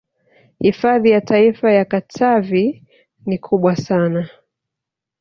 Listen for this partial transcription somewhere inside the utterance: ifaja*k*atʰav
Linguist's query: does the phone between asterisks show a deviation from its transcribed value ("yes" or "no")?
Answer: no